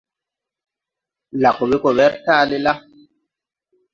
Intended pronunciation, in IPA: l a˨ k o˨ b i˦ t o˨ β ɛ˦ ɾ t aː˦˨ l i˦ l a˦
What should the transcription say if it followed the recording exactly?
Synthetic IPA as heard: l a˨ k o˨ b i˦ k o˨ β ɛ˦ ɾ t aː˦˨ l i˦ l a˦